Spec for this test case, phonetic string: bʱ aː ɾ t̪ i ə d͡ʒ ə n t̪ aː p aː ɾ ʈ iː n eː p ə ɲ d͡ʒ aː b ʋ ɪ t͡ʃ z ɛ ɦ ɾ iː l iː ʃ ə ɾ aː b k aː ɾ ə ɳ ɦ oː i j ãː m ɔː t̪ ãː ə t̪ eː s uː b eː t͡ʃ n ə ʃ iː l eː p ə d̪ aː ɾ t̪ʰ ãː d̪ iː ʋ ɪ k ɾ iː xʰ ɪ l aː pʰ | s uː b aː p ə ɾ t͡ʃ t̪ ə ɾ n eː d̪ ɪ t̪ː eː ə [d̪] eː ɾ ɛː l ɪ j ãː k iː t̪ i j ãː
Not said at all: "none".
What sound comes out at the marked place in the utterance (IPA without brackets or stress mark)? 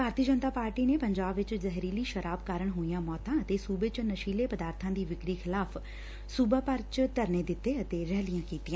t̪